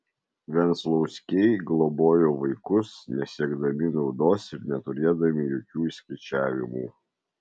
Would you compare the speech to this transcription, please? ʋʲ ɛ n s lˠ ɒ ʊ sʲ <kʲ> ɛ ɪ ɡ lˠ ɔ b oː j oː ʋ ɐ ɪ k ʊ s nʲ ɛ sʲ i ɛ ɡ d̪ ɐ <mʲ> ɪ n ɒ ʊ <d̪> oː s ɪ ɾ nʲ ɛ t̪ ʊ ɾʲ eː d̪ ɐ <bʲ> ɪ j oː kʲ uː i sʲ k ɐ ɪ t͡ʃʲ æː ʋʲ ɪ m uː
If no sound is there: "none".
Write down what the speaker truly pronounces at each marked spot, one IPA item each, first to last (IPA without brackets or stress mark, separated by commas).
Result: kʲ, mʲ, d̪, mʲ